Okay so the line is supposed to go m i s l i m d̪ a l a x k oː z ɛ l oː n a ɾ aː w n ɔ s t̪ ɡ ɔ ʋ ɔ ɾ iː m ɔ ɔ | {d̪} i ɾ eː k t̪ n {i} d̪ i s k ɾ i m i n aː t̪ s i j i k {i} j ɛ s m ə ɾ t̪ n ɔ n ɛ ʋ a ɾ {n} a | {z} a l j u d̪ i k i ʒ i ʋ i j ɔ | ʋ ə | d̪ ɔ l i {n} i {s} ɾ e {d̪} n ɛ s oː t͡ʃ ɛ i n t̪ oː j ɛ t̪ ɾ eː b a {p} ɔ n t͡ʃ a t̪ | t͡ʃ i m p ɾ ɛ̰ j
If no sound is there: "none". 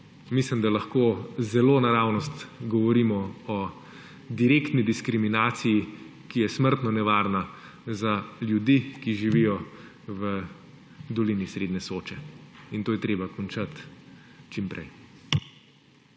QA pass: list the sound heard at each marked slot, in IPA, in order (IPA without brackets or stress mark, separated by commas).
d̪, i, i, n, z, n, s, d̪, k